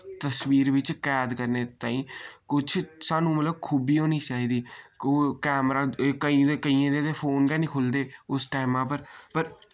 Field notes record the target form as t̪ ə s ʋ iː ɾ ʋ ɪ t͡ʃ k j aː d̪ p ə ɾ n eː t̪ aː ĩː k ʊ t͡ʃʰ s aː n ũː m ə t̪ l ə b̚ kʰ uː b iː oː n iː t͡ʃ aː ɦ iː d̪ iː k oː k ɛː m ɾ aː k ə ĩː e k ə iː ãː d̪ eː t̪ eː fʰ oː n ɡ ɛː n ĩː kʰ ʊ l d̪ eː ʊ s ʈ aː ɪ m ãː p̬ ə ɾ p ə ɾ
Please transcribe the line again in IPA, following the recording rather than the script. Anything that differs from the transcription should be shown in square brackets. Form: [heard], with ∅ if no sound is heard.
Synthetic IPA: t̪ ə s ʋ iː ɾ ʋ ɪ t͡ʃ k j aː d̪ [k] ə ɾ n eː t̪ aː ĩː k ʊ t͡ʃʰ s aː n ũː m ə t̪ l ə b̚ kʰ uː b iː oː n iː t͡ʃ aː ɦ iː d̪ iː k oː k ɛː m ɾ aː k ə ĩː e k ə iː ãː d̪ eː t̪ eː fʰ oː n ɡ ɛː n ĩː kʰ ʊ l d̪ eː ʊ s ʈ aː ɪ m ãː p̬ ə ɾ p ə ɾ